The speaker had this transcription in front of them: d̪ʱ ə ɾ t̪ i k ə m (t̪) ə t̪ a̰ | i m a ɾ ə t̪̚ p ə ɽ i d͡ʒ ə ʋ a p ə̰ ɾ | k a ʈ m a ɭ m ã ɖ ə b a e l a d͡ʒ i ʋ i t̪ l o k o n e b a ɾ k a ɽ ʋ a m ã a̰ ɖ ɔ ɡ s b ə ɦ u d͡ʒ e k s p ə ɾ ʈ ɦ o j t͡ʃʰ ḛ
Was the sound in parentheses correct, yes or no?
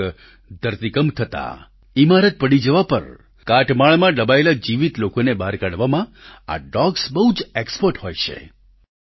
no